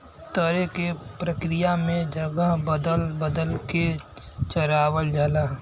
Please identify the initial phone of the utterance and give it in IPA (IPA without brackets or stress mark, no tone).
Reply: t̪